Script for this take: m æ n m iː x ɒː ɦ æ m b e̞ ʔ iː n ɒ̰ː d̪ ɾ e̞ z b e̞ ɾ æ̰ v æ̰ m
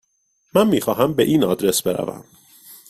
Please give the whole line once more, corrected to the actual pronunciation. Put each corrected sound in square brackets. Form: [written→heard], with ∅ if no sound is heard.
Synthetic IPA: m æ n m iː x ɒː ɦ æ m b e̞ ʔ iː n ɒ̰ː d̪ ɾ e̞ [z→s] b e̞ ɾ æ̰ v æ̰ m